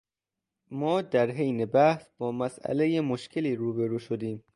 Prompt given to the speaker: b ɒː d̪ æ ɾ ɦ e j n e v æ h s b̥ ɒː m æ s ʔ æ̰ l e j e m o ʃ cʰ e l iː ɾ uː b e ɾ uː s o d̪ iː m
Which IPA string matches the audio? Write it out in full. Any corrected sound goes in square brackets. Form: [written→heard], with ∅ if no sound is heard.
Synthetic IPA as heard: [b→m] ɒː d̪ æ ɾ ɦ e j n e [v→b] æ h s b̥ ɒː m æ s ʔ æ̰ l e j e m o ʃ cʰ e l iː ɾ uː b e ɾ uː [s→ʃ] o d̪ iː m